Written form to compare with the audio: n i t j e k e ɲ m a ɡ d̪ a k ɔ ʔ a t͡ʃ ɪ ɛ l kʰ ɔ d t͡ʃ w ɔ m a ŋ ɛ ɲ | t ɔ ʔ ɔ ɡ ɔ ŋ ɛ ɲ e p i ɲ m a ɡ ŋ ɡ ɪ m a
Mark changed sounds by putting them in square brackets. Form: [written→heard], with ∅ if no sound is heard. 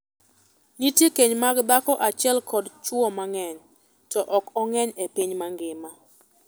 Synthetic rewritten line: n i t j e k e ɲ m a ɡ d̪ a k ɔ ʔ a t͡ʃ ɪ ɛ l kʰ ɔ d t͡ʃ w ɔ m a ŋ ɛ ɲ | t ɔ ʔ ɔ [ɡ→k] ɔ ŋ ɛ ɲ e p i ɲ m a [ɡ→∅] ŋ ɡ ɪ m a